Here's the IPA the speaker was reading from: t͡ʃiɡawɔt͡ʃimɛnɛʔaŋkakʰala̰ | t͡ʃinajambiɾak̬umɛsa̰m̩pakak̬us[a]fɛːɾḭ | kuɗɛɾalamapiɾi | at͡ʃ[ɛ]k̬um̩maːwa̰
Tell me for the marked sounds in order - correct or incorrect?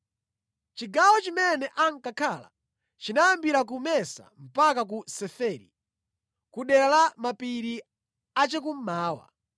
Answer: incorrect: ɛ, correct

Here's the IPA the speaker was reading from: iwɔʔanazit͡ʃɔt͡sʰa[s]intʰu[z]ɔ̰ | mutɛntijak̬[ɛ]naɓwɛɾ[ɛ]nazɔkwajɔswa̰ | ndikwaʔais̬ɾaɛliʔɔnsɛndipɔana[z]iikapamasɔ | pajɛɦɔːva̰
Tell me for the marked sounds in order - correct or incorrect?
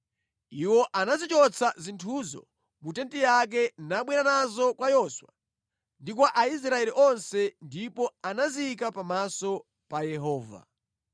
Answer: incorrect: z, correct, correct, incorrect: a, correct

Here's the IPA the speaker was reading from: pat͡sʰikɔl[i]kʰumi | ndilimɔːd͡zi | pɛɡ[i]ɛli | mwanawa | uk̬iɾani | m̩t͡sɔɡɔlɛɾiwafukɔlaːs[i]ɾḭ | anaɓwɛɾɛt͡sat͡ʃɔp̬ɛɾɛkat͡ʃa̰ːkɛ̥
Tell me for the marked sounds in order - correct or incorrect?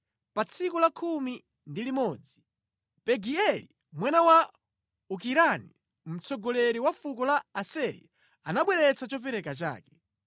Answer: incorrect: a, correct, incorrect: ɛ

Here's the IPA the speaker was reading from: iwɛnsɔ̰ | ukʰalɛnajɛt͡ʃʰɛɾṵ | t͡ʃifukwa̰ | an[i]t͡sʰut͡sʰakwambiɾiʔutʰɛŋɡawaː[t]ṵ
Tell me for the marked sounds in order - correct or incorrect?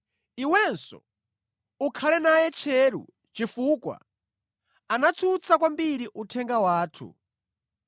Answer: incorrect: a, incorrect: tʰ

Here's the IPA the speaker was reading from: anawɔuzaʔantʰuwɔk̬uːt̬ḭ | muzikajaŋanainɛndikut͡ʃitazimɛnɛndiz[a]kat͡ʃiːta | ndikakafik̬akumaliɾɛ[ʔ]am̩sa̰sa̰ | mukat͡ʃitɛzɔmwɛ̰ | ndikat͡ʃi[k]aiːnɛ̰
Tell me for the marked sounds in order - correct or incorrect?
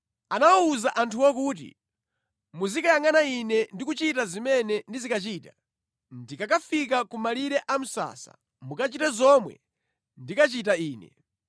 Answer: incorrect: i, correct, incorrect: t

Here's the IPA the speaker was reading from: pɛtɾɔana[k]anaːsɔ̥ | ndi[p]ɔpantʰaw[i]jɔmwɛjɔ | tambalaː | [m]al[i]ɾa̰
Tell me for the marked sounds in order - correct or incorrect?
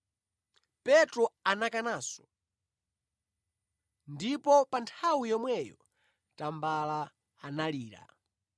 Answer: correct, correct, correct, incorrect: n, incorrect: iː

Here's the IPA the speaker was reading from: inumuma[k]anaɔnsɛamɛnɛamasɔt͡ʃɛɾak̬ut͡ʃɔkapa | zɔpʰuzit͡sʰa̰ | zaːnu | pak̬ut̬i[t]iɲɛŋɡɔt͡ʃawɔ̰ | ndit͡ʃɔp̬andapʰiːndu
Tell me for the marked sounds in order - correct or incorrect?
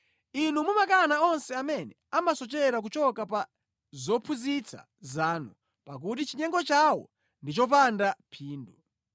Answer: correct, incorrect: t͡ʃ

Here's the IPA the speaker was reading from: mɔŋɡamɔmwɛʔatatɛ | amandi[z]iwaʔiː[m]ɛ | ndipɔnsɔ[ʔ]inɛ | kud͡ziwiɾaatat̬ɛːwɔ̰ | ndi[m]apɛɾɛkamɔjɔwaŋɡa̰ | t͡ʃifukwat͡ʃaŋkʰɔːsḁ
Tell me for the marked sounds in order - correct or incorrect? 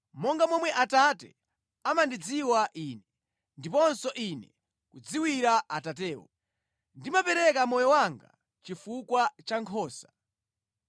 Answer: incorrect: d͡z, incorrect: n, correct, correct

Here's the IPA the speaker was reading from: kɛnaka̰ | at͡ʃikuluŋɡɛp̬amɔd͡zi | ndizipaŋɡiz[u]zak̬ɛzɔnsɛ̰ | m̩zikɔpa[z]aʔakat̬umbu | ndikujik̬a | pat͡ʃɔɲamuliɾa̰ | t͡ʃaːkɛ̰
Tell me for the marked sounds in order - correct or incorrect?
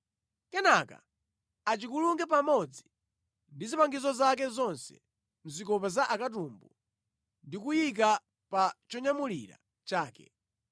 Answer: incorrect: ɔ, correct

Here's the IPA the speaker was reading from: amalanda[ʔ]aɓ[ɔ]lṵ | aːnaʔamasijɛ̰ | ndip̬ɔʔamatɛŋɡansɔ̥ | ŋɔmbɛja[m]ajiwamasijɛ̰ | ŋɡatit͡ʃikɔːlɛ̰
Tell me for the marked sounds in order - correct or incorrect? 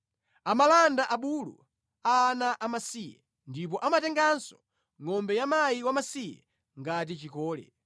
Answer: correct, incorrect: u, correct

